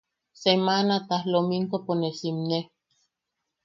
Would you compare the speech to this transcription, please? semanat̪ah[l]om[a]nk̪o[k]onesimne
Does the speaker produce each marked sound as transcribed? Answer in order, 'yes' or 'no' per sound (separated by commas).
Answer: yes, no, no